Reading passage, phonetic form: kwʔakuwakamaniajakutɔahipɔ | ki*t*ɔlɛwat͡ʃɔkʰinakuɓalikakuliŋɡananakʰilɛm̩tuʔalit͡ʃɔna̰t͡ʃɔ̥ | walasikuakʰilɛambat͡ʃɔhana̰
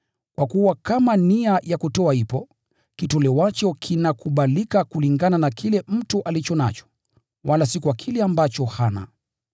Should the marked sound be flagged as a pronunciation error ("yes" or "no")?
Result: no